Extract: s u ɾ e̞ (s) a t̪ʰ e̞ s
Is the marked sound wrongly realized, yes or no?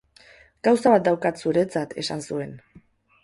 yes